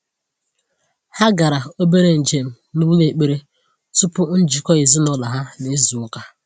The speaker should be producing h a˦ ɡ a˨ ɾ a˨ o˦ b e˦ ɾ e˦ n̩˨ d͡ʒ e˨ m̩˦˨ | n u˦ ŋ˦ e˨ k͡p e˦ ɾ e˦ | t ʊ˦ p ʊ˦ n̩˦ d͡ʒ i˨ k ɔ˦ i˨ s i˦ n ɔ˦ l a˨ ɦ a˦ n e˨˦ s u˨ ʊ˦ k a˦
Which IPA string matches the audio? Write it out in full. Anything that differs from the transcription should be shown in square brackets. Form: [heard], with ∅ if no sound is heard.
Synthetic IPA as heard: h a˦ ɡ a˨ ɾ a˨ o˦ b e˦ ɾ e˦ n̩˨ d͡ʒ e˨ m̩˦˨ | n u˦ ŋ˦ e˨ k͡p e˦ ɾ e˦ | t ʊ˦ p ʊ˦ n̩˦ d͡ʒ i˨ k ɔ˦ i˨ [z] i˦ n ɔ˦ l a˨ ɦ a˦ n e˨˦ [z] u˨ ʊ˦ k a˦